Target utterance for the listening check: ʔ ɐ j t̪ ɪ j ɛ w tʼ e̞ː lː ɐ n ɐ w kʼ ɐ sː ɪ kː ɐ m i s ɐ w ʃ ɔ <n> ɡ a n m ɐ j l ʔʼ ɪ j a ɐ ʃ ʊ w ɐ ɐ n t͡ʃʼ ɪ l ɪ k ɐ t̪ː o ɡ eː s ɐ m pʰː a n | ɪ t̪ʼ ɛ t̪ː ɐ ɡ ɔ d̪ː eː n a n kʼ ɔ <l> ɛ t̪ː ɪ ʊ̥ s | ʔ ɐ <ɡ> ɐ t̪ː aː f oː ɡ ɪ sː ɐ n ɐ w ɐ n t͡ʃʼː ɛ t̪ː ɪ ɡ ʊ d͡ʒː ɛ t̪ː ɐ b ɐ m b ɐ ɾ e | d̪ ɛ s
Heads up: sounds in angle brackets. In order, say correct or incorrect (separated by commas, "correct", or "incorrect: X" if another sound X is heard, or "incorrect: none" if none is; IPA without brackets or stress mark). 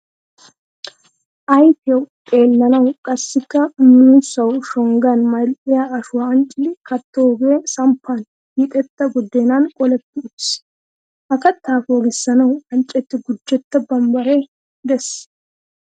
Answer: incorrect: ŋ, correct, incorrect: k